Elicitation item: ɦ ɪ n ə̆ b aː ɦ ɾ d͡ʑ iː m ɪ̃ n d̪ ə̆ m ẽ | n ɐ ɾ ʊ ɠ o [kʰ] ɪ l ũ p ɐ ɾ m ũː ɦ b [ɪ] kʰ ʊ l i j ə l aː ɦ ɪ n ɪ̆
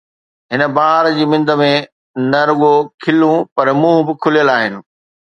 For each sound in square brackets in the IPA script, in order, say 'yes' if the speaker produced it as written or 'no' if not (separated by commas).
yes, yes